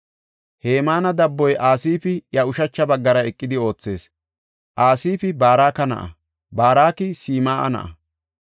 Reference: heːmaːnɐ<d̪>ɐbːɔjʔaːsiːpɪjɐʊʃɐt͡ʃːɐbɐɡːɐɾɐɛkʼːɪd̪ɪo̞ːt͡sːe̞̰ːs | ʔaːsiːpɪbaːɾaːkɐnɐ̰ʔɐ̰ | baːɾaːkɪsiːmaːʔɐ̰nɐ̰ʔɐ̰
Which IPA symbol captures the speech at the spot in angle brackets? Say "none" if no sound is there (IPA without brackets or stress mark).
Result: d̪